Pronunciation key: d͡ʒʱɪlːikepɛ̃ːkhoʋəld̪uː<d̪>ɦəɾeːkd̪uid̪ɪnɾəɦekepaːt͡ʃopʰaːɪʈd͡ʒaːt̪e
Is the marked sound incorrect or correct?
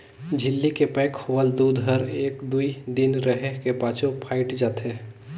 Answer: correct